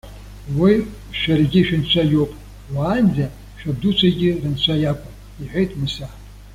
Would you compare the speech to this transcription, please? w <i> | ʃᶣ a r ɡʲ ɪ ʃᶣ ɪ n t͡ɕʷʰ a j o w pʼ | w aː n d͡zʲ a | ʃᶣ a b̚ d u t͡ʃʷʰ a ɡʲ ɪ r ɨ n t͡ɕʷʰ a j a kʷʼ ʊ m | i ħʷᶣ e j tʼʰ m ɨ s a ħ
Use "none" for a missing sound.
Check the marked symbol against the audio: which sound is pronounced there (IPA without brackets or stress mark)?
i